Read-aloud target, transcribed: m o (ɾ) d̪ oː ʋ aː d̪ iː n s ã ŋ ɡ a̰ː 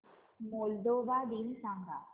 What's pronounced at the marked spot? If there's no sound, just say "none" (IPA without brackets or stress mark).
l